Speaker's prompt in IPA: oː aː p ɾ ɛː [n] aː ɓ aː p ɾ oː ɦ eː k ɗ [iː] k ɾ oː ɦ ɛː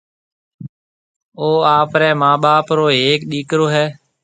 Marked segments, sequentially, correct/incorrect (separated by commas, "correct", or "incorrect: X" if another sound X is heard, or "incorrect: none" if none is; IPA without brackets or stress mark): incorrect: m, correct